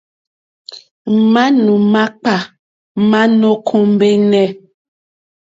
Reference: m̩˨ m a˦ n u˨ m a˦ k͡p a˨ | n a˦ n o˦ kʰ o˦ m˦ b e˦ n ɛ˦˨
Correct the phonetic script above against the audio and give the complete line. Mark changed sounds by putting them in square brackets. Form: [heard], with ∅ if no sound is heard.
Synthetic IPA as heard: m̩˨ m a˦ n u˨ m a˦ k͡p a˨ | [m] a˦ n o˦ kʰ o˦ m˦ b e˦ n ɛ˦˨